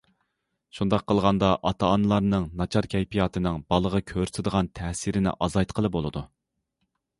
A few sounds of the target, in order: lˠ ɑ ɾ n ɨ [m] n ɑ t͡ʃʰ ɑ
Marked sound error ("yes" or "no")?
yes